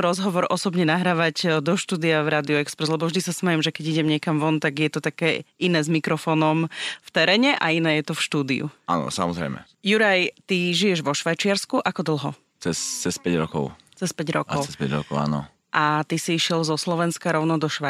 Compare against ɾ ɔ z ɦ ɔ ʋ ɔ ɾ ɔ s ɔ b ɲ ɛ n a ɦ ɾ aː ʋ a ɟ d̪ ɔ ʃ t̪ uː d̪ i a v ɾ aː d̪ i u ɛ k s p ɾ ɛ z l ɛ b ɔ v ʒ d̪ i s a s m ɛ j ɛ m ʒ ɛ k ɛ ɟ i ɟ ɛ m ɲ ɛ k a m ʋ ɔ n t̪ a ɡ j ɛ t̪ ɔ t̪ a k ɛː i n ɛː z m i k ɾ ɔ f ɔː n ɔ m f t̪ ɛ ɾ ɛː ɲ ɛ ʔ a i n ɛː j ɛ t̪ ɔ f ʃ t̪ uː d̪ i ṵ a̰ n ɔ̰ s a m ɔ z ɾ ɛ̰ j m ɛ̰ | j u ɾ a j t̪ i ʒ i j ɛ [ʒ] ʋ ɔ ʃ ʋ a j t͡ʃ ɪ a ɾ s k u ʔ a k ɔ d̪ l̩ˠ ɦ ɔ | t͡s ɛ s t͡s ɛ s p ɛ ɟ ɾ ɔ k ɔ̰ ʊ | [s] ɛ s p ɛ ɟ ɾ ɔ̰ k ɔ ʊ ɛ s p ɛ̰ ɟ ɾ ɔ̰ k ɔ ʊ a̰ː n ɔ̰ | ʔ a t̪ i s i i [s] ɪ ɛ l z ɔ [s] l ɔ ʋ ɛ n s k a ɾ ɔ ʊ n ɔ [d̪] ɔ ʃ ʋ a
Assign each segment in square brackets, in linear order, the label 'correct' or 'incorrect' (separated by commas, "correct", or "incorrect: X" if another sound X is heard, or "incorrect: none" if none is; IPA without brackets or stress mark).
correct, incorrect: t͡s, incorrect: ʃ, correct, correct